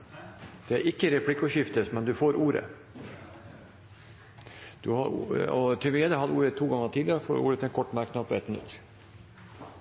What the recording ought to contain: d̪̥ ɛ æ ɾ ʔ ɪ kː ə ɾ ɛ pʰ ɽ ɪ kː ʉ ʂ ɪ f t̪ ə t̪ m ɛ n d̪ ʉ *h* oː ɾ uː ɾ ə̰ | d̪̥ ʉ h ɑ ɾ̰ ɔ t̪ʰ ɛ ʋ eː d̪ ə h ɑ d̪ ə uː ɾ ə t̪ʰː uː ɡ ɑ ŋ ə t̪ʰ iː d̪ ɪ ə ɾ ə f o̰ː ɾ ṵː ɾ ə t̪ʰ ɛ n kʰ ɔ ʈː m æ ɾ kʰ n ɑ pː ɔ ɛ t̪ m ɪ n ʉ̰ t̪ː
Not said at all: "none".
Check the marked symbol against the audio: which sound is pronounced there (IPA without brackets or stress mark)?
f